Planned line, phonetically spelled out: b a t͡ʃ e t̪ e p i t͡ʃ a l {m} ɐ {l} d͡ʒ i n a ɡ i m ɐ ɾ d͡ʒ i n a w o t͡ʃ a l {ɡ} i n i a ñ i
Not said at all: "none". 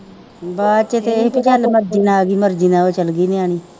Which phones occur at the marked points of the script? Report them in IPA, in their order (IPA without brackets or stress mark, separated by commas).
m, ɾ, ɡ